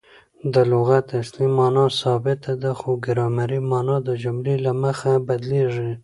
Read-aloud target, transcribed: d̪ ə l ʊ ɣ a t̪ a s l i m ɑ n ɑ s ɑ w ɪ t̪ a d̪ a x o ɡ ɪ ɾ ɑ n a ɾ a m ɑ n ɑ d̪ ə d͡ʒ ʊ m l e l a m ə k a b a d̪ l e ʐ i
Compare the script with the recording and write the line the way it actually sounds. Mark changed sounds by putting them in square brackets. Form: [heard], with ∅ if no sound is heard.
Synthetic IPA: d̪ ə l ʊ ɣ a t̪ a s l i m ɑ n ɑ s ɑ [b] ɪ t̪ a d̪ a x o ɡ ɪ ɾ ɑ [m] a ɾ [i] m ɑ n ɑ d̪ ə d͡ʒ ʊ m l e l a m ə [x] a b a d̪ l e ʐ i